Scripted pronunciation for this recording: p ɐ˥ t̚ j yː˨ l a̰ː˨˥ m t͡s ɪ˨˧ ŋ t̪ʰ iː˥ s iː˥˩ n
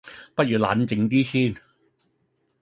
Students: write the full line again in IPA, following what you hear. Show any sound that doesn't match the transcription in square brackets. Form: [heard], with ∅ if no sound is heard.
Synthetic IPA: p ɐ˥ t̚ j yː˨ l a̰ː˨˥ [n] t͡s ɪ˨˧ ŋ [t̪] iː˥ s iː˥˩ n